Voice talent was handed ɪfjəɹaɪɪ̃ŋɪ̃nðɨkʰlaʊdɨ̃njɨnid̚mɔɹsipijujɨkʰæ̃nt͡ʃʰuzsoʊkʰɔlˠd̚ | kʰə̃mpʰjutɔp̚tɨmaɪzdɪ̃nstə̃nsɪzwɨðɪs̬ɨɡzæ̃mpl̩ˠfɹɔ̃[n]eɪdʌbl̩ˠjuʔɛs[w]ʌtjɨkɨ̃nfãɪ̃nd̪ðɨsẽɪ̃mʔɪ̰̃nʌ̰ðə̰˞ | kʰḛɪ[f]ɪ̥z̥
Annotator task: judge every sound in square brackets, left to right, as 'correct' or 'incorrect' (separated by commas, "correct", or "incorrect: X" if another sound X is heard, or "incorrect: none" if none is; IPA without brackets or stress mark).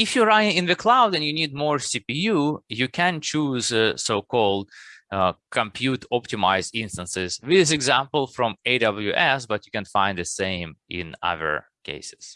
incorrect: m, incorrect: b, incorrect: s